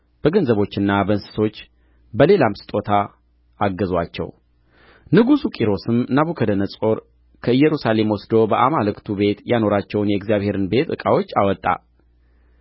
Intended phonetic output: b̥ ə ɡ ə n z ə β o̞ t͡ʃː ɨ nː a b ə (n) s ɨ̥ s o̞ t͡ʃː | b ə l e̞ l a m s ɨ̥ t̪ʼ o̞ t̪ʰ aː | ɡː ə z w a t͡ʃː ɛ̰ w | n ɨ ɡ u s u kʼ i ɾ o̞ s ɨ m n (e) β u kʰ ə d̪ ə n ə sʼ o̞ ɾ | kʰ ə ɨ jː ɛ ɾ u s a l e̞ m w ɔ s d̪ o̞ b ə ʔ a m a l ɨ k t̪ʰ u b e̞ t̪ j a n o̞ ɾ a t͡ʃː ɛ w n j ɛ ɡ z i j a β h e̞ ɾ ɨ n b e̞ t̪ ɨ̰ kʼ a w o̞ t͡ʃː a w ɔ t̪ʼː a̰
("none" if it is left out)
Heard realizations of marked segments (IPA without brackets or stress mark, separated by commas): n, a